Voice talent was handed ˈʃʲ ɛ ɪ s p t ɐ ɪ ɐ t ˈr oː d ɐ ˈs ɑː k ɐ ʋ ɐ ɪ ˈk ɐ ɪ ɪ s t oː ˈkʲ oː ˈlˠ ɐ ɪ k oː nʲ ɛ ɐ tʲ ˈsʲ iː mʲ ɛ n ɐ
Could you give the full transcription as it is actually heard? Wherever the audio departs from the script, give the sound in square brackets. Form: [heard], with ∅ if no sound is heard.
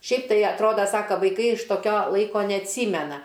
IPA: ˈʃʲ ɛ ɪ [∅] p t ɐ ɪ ɐ t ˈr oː d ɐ ˈs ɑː k ɐ ʋ ɐ ɪ ˈk ɐ ɪ ɪ [ʃ] t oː ˈkʲ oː ˈlˠ ɐ ɪ k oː nʲ ɛ ɐ tʲ ˈsʲ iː mʲ ɛ n ɐ